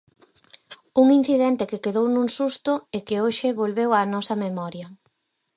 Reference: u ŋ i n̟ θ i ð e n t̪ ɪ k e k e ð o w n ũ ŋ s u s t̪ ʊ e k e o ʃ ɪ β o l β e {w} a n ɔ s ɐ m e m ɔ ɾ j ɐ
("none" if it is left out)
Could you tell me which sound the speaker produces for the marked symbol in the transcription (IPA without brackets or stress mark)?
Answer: w